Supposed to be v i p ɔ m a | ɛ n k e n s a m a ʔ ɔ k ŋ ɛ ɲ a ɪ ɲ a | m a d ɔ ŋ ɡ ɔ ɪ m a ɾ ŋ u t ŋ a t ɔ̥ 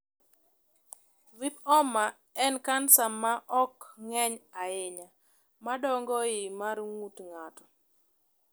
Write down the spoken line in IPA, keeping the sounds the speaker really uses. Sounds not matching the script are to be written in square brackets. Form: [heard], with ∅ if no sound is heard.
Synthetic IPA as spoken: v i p ɔ m a | ɛ n k [a] n s a m a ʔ ɔ k ŋ ɛ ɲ a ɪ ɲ a | m a d ɔ ŋ ɡ ɔ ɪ m a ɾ ŋ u t ŋ a t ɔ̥